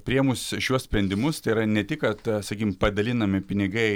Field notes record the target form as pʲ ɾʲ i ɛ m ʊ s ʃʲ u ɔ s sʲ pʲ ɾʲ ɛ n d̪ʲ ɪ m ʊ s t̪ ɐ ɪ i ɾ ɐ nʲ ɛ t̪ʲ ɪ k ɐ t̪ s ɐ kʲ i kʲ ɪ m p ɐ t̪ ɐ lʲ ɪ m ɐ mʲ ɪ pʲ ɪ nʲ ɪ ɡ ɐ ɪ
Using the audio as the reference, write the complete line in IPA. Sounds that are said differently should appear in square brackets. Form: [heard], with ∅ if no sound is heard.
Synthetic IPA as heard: pʲ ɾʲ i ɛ m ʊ s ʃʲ u ɔ s sʲ pʲ ɾʲ ɛ n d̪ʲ ɪ m ʊ s t̪ ɐ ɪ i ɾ ɐ nʲ ɛ t̪ʲ ɪ k ɐ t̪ s ɐ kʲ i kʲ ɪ m p ɐ [d̪] ɐ lʲ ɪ [n] ɐ mʲ ɪ pʲ ɪ nʲ ɪ ɡ ɐ ɪ